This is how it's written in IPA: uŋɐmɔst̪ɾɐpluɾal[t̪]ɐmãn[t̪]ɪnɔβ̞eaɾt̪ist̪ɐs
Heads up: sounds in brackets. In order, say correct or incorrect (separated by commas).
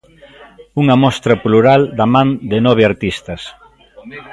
incorrect, incorrect